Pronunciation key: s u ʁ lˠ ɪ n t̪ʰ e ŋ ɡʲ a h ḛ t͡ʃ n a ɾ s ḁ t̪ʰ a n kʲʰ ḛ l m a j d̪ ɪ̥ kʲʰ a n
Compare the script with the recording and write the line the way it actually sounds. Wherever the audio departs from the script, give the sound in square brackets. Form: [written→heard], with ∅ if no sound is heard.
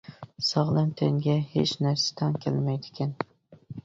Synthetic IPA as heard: s [u→ɒ] ʁ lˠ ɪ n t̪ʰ e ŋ ɡʲ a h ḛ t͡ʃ n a ɾ s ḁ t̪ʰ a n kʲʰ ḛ l m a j d̪ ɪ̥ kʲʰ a n